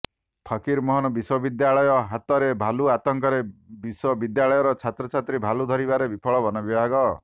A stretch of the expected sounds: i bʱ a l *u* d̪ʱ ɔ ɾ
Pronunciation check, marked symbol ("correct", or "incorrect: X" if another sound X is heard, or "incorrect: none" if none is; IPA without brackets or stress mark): correct